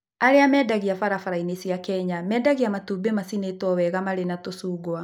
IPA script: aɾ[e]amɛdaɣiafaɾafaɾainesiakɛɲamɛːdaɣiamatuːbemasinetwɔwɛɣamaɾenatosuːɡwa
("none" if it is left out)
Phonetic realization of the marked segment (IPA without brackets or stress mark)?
e